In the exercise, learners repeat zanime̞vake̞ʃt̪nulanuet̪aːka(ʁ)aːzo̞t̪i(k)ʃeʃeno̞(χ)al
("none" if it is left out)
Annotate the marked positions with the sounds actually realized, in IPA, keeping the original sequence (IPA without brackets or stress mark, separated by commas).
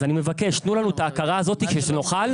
ʁ, k, χ